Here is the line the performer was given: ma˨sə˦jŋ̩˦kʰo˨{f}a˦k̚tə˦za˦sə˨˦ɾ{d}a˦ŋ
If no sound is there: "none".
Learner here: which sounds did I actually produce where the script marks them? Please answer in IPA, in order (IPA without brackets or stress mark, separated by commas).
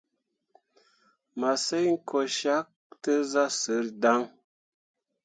ʃ, d